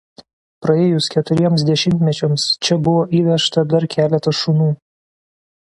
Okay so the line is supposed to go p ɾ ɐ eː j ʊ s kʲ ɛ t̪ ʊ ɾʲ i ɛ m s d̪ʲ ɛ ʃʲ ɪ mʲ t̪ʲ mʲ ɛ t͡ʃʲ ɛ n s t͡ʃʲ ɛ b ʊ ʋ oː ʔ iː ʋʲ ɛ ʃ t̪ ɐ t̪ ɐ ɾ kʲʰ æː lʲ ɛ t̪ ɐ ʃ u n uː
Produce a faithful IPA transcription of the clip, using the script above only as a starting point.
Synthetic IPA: p ɾ ɐ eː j ʊ s kʲ ɛ t̪ ʊ ɾʲ i ɛ m s d̪ʲ ɛ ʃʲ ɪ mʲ t̪ʲ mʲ ɛ t͡ʃʲ ɛ m s t͡ʃʲ ɛ b ʊ ʋ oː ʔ iː ʋʲ ɛ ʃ t̪ ɐ d̪ ɐ ɾ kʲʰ æː lʲ ɛ t̪ ɐ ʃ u n uː